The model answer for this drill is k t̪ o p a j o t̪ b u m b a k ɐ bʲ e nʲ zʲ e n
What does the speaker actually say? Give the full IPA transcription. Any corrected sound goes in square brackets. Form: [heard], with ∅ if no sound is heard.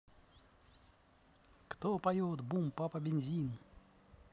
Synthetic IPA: k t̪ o p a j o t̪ b u m [p] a [p] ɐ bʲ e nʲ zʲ [i] n